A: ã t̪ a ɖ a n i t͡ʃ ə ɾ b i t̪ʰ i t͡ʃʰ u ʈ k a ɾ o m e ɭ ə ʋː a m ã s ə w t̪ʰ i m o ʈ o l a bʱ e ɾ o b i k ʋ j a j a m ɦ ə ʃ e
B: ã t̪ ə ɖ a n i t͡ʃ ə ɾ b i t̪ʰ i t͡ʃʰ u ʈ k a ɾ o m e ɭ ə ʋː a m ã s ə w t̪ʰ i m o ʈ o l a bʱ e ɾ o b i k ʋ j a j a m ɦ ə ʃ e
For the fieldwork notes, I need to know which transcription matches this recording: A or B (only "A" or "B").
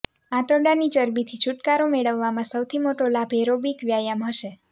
B